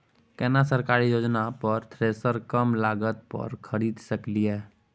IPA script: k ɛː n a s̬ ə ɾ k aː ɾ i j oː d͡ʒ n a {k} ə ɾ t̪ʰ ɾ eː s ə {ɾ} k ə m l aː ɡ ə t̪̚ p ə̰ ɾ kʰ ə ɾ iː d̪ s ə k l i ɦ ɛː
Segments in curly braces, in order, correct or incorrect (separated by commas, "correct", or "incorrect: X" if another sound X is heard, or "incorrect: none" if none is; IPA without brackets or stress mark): incorrect: p, correct